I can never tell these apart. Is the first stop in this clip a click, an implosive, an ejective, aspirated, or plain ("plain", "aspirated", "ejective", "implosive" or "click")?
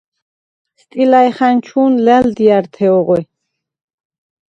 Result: ejective